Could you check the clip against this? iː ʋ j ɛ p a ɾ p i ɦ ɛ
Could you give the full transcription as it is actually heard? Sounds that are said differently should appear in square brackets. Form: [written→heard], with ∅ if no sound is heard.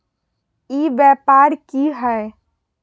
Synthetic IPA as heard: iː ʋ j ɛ p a ɾ [p→k] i ɦ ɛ